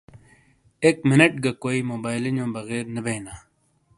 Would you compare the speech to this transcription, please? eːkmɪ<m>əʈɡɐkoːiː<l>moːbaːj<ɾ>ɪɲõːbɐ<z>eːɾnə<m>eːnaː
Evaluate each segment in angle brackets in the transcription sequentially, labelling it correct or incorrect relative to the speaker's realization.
incorrect: n, incorrect: none, incorrect: l, incorrect: ɣ, incorrect: b

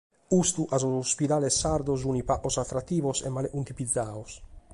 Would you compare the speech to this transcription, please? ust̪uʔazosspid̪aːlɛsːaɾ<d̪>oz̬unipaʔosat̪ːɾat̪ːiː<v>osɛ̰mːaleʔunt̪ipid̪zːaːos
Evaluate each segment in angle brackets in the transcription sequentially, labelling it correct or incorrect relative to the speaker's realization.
correct, correct

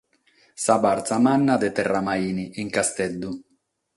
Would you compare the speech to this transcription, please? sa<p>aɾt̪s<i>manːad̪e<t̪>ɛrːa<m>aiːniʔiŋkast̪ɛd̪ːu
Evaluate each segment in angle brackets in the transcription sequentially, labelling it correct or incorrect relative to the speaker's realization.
incorrect: b, incorrect: a, correct, correct

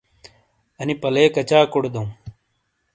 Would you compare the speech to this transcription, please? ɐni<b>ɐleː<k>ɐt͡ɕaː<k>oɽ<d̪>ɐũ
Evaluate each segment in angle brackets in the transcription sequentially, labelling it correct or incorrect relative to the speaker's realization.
incorrect: p, correct, correct, correct

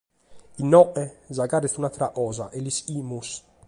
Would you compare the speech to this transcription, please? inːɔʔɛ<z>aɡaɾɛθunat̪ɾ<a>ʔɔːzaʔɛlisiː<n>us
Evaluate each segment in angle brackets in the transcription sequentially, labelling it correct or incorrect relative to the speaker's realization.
correct, correct, incorrect: m

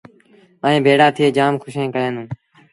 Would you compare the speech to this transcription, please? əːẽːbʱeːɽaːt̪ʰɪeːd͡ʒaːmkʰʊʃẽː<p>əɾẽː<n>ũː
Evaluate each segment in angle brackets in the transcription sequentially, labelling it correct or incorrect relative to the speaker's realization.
incorrect: k, correct

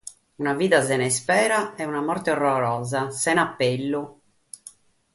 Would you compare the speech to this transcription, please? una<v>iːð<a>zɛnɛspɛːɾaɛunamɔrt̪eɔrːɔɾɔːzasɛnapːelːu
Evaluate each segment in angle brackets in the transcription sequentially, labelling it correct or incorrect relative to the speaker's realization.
correct, correct

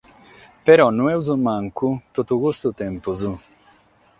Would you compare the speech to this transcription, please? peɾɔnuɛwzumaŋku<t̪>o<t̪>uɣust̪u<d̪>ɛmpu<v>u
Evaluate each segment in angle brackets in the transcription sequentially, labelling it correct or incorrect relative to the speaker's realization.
correct, correct, incorrect: t̪, incorrect: z

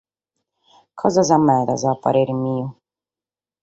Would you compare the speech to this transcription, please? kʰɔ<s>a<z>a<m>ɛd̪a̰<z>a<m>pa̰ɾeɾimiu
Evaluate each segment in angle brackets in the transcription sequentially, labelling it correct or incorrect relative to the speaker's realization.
incorrect: z, correct, correct, correct, incorrect: none

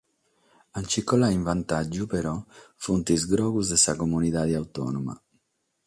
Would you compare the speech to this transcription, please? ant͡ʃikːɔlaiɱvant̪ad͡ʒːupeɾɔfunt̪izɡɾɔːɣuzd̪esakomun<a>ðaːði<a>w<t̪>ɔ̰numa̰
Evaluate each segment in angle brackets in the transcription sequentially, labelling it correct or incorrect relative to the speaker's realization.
incorrect: i, correct, correct

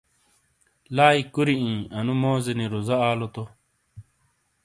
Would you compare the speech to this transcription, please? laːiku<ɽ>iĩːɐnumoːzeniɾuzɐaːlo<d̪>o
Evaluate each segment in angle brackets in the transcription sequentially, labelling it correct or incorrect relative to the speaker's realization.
incorrect: ɾ, incorrect: t̪

